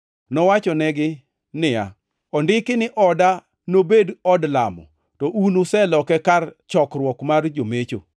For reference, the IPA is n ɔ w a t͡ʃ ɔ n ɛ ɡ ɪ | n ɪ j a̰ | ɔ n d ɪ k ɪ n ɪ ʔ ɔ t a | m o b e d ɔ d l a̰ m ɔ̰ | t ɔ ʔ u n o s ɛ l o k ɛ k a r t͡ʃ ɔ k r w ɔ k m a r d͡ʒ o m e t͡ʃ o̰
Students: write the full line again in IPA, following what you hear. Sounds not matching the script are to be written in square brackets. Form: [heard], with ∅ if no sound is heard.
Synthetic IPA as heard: n ɔ w a t͡ʃ ɔ n ɛ ɡ ɪ | n ɪ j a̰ | ɔ n d ɪ k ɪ n ɪ ʔ ɔ [d] a | [n] o b e d ɔ d l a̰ m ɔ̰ | t ɔ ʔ u n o s ɛ l [ɔ] k ɛ k a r t͡ʃ ɔ k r w ɔ k m a r d͡ʒ o m e t͡ʃ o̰